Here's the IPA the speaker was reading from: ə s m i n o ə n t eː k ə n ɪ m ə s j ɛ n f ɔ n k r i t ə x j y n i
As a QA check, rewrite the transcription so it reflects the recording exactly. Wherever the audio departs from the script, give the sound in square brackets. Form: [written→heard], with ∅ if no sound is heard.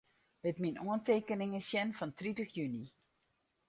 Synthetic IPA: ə [s→t] m i n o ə n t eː k ə n ɪ [m→ŋ] ə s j ɛ n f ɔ n [k→t] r i t ə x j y n i